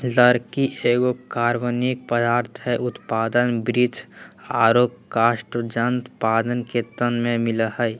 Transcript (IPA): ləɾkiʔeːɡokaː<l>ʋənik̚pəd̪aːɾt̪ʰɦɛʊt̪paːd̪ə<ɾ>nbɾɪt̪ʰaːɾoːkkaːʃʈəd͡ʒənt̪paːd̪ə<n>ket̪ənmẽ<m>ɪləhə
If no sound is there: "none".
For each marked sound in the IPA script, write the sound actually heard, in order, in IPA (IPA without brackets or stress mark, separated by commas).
ɾ, none, n, m